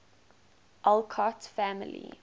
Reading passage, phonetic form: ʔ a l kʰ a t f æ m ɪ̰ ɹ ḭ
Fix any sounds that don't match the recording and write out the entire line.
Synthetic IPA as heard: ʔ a l kʰ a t f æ m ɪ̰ l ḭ

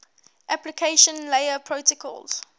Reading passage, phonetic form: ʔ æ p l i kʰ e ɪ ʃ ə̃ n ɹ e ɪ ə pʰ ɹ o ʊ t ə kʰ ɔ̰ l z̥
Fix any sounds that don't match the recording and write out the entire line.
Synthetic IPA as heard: ʔ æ p l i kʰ e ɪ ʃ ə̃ n l e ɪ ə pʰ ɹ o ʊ t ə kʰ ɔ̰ l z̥

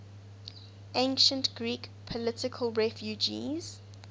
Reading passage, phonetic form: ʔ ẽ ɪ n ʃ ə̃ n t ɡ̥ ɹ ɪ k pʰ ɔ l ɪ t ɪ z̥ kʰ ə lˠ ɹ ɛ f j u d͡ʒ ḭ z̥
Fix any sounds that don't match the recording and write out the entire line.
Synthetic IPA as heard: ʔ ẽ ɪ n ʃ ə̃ n t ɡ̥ ɹ i k pʰ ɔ l ɪ t ɪ kʰ ə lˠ ɹ ɛ f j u d͡ʒ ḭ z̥

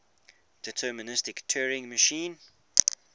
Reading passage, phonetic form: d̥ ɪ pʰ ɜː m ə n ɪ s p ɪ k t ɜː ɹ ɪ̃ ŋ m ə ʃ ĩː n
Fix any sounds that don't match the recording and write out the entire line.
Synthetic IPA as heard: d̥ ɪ tʰ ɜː m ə n ɪ s t ɪ k tʰ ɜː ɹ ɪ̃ ŋ m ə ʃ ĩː n

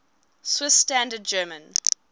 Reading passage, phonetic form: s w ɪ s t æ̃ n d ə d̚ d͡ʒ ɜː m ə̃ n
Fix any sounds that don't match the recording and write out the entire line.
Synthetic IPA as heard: s w ɪ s t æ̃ n d ə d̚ d͡ʒ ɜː m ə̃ n

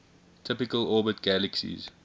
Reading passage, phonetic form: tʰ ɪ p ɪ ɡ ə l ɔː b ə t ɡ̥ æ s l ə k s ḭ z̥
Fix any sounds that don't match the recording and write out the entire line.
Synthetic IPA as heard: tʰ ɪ p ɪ k ə l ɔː b ə t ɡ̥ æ l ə k s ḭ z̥

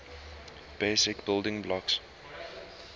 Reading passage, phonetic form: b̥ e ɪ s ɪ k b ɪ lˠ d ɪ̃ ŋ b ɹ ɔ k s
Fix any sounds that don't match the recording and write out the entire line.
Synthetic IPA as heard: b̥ e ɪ s ɪ k b ɪ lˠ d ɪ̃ ŋ b l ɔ k s

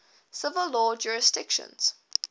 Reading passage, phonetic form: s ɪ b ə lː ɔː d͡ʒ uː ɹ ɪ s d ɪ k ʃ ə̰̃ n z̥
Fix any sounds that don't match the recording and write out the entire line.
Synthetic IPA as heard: s ɪ v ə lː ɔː d͡ʒ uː ɹ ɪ s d ɪ k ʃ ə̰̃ n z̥

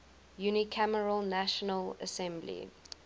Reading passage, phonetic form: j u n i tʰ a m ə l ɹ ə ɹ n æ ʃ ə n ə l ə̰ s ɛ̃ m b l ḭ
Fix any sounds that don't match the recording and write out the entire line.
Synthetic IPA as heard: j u n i kʰ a m ə ɹ ə l n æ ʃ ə n ə l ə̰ s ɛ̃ m b l ḭ

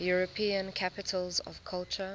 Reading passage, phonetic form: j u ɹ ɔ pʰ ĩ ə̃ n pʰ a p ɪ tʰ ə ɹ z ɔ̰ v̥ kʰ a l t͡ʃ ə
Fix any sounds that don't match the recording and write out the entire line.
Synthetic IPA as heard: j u ɹ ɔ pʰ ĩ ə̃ n kʰ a p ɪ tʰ ə l z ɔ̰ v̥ kʰ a l t͡ʃ ə

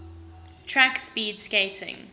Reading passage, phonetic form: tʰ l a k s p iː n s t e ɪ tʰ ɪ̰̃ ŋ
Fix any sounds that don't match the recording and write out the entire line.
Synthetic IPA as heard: tʰ ɹ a k s p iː d s k e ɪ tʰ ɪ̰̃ ŋ

